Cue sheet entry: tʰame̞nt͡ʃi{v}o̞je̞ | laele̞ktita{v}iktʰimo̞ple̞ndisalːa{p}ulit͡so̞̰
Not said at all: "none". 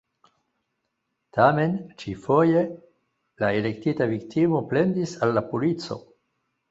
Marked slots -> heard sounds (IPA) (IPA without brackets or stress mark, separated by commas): f, v, p